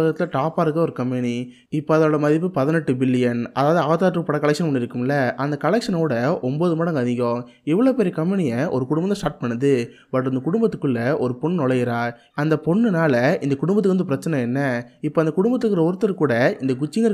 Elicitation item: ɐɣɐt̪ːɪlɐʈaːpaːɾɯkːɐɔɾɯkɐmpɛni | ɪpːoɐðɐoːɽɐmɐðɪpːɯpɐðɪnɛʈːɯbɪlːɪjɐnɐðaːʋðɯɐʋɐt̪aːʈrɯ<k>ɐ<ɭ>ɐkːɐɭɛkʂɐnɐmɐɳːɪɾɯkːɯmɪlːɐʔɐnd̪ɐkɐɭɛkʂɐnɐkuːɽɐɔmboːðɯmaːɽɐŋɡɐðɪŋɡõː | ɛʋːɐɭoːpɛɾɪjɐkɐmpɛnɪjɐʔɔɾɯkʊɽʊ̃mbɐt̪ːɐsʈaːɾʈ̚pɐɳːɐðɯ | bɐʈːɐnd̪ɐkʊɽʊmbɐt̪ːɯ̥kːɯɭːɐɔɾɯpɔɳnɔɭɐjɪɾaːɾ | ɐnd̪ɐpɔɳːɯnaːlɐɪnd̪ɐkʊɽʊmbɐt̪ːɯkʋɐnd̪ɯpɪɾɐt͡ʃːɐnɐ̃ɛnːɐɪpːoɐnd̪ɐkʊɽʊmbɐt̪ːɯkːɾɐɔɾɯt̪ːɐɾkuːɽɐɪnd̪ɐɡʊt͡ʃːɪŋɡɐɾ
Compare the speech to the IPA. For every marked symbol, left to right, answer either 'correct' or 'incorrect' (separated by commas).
incorrect, incorrect